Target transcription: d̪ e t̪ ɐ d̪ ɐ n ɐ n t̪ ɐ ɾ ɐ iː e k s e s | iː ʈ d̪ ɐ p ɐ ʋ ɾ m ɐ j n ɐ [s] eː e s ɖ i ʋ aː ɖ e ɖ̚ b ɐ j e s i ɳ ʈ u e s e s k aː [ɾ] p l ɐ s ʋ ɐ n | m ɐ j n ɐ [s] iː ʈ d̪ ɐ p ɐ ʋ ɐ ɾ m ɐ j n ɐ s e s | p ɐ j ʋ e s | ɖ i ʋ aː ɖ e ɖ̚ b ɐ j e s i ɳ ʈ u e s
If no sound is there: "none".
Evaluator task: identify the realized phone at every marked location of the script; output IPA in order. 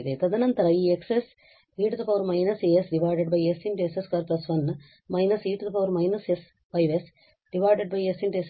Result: s, ɾ, s

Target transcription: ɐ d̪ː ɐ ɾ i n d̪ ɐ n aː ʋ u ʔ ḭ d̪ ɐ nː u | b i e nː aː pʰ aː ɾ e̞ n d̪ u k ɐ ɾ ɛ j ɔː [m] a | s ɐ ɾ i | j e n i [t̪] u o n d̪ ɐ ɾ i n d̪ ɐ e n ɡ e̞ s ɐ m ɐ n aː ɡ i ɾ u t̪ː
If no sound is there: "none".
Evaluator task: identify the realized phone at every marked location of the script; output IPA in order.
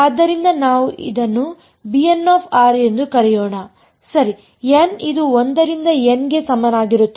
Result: ɳ, d̪

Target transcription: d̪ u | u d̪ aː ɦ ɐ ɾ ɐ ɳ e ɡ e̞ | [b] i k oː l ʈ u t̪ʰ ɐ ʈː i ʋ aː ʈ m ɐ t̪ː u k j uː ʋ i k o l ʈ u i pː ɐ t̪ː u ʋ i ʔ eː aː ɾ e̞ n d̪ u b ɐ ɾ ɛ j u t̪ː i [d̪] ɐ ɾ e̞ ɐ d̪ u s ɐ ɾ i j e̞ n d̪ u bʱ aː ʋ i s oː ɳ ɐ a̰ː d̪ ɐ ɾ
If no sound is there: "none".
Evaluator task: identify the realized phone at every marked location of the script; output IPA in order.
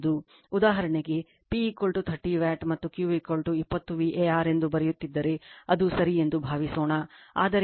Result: p, d̪ː

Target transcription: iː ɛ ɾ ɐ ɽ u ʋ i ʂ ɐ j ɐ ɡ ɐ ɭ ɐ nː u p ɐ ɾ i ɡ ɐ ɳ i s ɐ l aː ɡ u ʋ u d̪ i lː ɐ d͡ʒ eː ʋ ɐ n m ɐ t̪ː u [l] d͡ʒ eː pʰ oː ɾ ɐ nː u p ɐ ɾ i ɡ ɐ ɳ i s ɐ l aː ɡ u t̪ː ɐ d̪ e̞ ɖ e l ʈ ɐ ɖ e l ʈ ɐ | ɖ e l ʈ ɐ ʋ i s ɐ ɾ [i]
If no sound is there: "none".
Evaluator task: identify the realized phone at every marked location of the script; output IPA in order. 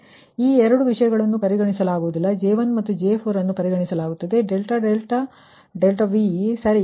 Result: none, i

